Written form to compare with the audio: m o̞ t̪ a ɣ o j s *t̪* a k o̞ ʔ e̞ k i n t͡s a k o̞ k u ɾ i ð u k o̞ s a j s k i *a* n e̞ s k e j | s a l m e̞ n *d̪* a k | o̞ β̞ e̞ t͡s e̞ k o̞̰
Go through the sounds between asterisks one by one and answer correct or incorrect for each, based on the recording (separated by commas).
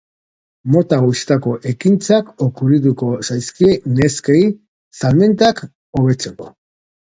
correct, incorrect, incorrect